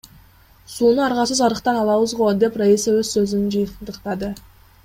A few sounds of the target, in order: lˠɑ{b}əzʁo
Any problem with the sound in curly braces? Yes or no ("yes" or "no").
yes